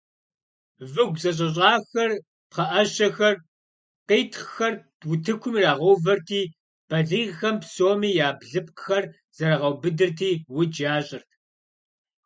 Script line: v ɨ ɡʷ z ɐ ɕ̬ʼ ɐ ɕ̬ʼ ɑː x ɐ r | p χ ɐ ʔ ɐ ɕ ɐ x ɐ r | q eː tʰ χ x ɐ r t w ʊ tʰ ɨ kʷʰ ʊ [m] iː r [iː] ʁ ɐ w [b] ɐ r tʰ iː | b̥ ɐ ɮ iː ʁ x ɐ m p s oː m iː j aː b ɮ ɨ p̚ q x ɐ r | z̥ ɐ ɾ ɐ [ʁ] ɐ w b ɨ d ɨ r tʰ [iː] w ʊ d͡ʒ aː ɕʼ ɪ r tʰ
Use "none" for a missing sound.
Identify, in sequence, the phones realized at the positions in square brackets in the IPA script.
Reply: m, aː, v, ʁ, iː

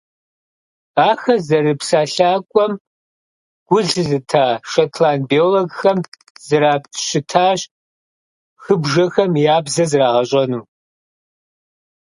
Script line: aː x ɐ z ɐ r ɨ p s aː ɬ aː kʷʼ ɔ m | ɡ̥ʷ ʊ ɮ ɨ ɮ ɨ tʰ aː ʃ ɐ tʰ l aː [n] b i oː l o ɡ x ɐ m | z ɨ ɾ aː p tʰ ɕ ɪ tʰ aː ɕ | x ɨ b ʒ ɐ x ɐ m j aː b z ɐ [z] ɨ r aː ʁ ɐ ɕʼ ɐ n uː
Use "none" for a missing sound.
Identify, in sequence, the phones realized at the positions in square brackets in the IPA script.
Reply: n, z

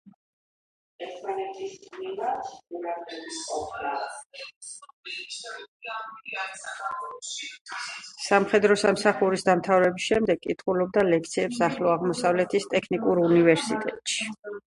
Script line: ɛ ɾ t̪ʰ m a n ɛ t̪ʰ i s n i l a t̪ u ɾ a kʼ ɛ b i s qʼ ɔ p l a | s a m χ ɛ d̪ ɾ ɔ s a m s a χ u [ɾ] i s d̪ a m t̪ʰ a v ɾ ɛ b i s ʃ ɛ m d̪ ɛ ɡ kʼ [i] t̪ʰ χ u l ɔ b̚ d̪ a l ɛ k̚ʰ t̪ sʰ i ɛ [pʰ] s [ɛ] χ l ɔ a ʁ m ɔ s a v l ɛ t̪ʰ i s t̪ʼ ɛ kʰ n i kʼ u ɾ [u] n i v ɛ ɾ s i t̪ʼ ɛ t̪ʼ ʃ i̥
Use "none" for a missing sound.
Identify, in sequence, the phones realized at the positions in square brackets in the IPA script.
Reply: ɾ, i, p, a, u

